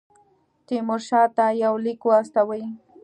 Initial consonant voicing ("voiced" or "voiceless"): voiceless